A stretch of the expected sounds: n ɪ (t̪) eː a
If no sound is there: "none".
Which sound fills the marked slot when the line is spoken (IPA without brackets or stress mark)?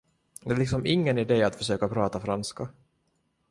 d̪